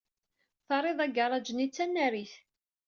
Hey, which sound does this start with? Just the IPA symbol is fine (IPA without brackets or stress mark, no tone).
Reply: θ